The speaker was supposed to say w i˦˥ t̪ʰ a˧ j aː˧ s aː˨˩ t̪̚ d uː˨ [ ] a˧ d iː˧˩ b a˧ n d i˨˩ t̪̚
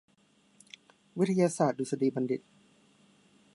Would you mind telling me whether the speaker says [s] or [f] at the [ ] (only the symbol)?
s